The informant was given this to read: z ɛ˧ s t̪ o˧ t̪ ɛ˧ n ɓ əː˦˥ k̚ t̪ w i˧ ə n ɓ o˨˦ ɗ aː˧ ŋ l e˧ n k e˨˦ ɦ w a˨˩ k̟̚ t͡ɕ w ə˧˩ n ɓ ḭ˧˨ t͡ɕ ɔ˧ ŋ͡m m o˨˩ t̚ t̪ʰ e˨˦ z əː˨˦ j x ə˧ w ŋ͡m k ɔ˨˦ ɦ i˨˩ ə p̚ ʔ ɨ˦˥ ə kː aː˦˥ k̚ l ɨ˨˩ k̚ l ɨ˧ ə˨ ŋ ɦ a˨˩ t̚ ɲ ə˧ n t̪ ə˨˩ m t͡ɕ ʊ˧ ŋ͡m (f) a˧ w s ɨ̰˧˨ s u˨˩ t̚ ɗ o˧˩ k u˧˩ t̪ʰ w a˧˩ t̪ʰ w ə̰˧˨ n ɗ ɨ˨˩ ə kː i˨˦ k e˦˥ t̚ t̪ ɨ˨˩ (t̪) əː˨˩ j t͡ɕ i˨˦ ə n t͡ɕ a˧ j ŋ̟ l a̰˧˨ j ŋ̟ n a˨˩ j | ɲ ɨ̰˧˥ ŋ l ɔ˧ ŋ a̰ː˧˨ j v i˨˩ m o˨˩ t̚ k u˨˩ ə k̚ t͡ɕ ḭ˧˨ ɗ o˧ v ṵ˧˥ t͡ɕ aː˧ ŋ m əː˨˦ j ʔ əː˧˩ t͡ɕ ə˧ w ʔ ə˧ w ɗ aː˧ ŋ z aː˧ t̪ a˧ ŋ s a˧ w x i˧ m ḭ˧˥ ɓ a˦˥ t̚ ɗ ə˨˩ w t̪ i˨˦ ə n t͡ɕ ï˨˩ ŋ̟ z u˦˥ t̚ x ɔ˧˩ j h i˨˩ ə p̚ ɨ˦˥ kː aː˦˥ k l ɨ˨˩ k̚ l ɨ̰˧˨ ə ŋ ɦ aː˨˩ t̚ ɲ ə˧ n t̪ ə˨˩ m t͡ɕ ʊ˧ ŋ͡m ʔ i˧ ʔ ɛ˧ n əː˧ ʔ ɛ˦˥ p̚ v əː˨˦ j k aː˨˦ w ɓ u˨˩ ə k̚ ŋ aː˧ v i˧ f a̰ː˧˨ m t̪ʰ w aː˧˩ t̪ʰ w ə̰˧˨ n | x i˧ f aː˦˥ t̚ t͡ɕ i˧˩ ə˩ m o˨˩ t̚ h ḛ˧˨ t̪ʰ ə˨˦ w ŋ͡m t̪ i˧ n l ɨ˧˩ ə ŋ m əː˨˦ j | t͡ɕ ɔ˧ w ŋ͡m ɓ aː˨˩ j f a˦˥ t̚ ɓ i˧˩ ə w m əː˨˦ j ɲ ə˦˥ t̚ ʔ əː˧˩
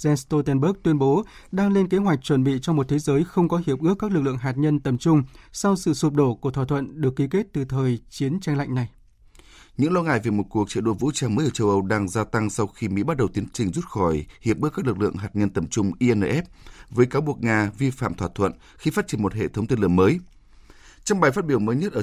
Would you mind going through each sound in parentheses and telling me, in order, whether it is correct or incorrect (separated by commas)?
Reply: incorrect, incorrect